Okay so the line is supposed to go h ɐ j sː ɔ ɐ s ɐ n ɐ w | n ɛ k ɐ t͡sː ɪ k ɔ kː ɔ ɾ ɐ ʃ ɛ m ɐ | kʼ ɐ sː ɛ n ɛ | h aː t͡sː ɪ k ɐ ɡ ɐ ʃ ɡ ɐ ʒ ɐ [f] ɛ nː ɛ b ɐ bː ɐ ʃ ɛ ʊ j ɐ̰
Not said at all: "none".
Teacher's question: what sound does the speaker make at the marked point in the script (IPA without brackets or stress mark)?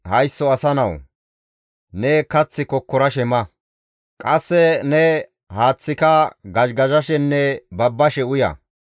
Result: ʃ